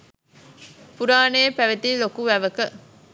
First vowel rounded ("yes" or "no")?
yes